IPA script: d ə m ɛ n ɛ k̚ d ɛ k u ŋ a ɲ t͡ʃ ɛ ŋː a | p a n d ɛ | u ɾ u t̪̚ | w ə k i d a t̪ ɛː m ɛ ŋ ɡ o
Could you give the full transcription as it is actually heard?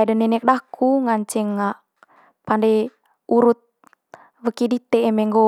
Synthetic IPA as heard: d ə n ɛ n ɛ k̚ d a k u ŋ a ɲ t͡ʃ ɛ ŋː a | p a n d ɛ | u ɾ u t̪̚ | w ə k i d i t̪ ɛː m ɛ ŋ ɡ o